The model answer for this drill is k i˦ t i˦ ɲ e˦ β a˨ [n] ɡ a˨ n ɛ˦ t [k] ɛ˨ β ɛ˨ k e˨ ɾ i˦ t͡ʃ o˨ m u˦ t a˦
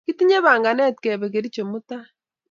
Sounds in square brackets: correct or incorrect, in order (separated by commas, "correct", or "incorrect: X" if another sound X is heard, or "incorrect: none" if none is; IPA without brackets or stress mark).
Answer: incorrect: ŋ, correct